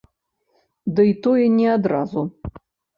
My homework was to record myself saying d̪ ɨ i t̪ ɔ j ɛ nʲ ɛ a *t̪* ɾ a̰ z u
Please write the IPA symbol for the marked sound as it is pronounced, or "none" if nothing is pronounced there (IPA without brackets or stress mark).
d̪